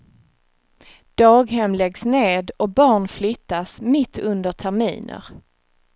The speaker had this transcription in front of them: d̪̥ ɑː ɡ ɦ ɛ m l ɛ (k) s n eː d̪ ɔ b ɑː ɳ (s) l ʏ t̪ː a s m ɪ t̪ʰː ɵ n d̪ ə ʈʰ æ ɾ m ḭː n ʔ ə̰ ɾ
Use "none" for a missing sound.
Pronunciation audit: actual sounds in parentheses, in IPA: ɡ, f

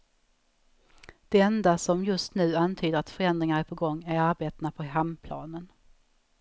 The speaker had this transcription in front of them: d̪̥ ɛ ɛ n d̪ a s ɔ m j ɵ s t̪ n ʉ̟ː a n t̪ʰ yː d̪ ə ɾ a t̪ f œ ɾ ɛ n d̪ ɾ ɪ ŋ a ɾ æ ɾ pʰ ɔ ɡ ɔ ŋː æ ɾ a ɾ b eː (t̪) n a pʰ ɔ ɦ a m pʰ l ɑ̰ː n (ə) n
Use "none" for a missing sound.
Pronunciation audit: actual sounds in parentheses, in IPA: t̪, ə

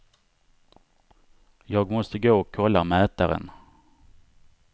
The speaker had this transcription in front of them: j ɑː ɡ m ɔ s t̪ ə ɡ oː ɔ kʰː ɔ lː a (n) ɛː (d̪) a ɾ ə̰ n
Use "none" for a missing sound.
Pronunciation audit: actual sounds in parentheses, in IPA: m, t̪

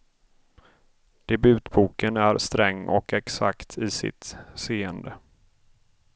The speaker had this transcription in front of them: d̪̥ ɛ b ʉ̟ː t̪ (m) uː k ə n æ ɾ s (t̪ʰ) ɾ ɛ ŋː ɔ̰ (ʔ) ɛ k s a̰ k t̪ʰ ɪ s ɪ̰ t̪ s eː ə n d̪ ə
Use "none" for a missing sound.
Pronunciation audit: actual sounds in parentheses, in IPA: b, t̪, k

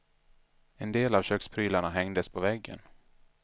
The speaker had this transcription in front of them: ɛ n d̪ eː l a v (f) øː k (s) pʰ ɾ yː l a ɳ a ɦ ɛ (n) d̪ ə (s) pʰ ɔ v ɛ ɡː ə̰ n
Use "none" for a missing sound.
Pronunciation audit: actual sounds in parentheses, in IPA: ɕ, s, ŋ, s

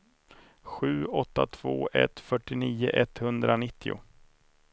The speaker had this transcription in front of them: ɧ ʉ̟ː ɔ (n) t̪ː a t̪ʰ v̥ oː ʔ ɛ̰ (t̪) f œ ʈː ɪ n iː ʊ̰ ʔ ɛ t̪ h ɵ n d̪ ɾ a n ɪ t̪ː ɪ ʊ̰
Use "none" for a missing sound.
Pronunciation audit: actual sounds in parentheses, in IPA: none, t̪

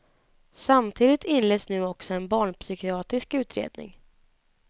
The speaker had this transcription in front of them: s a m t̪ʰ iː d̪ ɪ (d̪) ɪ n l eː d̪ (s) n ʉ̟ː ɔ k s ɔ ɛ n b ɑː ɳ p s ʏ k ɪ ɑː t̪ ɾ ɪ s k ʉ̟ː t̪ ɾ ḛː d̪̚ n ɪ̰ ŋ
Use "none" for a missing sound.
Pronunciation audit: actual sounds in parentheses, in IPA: t̪, s

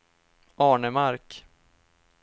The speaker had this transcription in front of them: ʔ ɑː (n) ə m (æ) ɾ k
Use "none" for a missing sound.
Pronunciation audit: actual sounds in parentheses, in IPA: ɳ, a

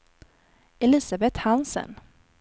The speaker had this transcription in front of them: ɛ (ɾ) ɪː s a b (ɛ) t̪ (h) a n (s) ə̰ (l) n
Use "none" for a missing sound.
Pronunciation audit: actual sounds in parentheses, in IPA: l, ɛ, h, s, none

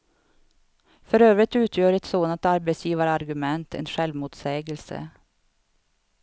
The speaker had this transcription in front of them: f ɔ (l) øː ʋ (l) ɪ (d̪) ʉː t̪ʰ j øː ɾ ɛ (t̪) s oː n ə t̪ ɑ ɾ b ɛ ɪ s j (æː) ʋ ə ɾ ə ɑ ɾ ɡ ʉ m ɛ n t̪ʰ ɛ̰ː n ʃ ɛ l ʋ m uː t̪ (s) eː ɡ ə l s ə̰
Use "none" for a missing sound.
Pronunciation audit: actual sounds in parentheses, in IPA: ɾ, ɾ, t̪, t̪, iː, s

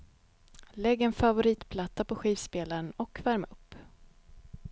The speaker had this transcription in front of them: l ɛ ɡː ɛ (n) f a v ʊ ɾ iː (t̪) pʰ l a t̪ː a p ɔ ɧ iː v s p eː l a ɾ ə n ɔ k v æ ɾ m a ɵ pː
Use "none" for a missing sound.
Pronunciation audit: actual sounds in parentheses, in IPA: n, t̪

